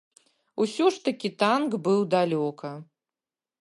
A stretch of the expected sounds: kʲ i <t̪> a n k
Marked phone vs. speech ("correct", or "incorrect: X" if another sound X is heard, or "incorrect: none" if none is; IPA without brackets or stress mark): correct